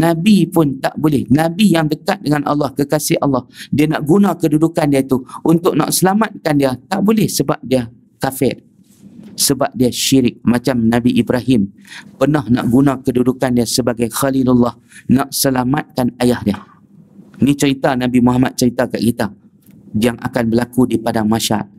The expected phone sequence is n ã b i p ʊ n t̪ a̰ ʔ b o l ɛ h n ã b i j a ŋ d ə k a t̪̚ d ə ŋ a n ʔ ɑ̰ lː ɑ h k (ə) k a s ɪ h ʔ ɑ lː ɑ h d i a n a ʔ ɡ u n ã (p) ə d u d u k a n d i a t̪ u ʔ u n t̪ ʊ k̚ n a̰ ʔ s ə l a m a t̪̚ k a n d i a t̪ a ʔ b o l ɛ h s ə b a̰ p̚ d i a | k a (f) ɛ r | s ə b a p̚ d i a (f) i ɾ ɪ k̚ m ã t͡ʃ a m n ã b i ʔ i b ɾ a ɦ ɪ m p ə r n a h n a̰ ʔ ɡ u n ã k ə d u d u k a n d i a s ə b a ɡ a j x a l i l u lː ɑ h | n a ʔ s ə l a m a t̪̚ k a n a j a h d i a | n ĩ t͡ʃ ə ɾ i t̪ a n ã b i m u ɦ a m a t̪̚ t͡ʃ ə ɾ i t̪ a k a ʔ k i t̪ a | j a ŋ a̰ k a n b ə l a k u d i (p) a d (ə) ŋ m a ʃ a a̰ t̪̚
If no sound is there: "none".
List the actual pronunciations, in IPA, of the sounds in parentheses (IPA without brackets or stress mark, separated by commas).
ə, k, f, ʃ, p, a